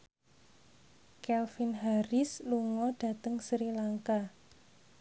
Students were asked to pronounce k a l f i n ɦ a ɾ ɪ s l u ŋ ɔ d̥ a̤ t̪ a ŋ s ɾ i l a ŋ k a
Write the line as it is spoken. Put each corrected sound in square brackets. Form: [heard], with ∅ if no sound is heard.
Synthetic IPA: k [ɛ] l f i n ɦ a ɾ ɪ s l u ŋ ɔ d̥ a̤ t̪ [ə] ŋ s ɾ i l a ŋ k a